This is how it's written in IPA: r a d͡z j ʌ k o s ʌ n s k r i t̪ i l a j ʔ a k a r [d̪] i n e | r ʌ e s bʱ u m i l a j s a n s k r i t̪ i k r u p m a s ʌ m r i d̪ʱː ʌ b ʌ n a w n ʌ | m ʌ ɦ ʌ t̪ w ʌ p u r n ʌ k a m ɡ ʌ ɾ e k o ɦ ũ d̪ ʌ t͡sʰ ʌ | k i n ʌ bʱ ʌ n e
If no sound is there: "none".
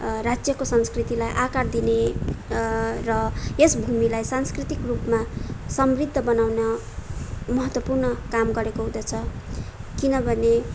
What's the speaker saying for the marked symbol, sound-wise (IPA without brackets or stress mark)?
d̪